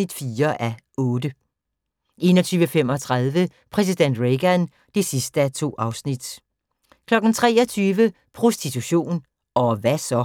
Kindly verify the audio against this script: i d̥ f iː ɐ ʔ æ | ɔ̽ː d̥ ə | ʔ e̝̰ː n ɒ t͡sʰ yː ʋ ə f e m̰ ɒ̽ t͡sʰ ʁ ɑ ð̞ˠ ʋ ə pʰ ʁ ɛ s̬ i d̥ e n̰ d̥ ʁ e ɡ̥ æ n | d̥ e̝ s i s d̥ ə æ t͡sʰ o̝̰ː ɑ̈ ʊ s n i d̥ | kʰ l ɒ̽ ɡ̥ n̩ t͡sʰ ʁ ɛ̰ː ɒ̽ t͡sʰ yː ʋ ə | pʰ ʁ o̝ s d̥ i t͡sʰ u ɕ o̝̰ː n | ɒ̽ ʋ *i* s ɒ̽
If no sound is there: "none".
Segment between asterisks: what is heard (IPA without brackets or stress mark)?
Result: æ